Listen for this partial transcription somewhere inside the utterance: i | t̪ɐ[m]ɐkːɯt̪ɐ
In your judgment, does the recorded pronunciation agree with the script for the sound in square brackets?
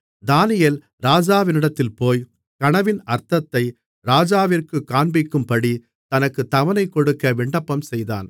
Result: no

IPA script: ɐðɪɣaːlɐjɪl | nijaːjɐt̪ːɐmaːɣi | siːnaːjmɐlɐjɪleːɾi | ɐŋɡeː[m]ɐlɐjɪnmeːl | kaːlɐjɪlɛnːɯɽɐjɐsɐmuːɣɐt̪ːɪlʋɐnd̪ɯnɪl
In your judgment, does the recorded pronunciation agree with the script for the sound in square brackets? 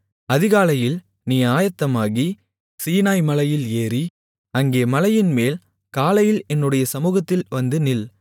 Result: yes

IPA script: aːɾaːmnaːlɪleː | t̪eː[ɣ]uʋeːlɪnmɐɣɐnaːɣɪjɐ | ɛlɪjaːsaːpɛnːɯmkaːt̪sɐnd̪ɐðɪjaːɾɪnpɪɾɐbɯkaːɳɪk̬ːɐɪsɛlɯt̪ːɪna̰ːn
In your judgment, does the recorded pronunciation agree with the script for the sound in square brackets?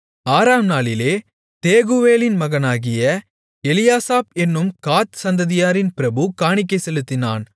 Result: yes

